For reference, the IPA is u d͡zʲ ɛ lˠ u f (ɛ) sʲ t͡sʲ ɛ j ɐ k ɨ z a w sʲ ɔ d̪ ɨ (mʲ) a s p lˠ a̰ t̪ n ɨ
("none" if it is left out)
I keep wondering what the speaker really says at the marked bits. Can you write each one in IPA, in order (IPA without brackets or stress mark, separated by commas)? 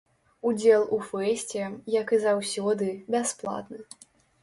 ɛ, bʲ